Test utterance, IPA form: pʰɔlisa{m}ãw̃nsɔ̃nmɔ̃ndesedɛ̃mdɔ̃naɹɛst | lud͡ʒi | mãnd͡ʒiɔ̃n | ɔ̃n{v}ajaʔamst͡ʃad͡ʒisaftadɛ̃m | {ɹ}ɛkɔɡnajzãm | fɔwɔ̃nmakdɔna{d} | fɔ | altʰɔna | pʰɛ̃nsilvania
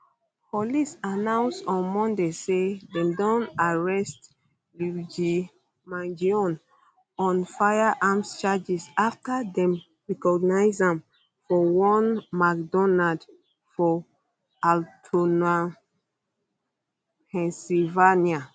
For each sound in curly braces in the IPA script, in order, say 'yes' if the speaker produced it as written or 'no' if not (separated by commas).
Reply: no, no, yes, yes